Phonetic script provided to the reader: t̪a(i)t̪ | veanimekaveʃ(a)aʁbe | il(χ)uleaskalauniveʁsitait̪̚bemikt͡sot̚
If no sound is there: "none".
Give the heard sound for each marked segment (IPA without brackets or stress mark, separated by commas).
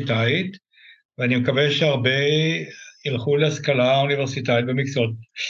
i, e, χ